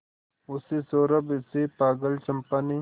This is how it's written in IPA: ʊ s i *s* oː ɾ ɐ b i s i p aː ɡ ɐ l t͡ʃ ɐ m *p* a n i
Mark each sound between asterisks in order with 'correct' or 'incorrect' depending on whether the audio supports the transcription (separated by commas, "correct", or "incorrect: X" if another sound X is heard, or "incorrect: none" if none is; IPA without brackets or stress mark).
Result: correct, correct